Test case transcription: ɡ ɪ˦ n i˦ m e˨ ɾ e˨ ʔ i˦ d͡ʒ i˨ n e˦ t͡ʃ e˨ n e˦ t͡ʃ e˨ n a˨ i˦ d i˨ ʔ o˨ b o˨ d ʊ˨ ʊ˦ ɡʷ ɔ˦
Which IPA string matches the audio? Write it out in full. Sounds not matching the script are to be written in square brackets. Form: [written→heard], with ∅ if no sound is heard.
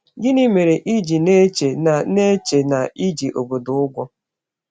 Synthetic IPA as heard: ɡ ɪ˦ n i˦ m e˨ ɾ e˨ ʔ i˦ d͡ʒ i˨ n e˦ t͡ʃ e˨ n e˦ t͡ʃ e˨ n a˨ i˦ [d→d͡ʒ] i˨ ʔ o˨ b o˨ d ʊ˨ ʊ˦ ɡʷ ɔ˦

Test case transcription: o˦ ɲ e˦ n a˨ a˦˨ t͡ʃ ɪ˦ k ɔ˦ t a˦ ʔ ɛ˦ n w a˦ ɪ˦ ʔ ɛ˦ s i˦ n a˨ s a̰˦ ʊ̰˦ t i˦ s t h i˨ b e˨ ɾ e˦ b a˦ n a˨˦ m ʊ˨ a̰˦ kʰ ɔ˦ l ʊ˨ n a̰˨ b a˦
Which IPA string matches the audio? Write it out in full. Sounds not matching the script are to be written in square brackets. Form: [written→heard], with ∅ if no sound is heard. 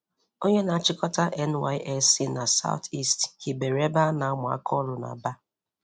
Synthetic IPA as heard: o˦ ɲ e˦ n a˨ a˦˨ t͡ʃ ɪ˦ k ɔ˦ t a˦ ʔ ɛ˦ n w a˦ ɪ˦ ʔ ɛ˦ s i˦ n a˨ s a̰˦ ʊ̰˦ t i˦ s t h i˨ b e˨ ɾ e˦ b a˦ n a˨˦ m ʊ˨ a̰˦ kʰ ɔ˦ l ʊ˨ n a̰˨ b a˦

